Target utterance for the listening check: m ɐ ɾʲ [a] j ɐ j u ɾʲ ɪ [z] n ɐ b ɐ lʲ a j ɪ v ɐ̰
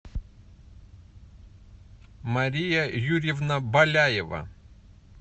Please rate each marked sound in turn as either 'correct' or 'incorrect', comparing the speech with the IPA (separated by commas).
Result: incorrect, incorrect